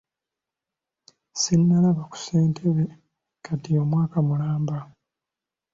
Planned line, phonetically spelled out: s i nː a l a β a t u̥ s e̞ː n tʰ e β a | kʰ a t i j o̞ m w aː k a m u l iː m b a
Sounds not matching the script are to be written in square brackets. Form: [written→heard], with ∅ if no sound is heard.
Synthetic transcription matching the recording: s i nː a l a β a [t→k] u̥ s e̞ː n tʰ e β [a→e] | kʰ a t i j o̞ m w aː k a m u l [iː→aː] m b a